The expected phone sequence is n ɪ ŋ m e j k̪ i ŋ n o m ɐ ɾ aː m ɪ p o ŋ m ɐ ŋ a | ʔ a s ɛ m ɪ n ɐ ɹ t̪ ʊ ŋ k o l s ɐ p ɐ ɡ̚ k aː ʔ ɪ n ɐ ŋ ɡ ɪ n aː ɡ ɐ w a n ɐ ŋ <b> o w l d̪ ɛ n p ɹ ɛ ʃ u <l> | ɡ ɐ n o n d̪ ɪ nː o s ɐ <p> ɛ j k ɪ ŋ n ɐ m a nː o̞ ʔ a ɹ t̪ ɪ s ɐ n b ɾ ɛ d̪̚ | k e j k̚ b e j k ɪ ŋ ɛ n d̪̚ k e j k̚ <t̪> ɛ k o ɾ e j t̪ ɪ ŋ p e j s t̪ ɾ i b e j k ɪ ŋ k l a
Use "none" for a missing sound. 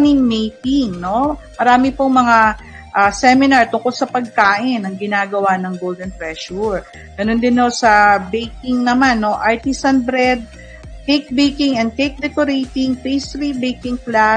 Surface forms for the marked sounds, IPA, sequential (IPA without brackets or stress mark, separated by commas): ɡ, ɹ, b, d̪